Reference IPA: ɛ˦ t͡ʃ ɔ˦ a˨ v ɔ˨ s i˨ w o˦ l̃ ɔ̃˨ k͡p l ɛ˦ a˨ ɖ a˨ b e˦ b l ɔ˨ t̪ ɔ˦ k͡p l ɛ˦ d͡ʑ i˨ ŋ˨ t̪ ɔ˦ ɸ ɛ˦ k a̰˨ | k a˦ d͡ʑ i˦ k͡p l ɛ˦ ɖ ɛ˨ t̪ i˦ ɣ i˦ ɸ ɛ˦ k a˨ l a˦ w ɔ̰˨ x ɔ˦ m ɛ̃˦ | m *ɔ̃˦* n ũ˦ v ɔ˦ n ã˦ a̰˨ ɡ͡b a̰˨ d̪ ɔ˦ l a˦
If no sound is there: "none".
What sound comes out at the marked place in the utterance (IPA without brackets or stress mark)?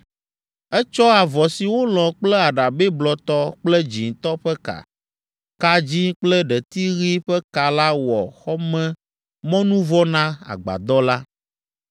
ɔ̃˦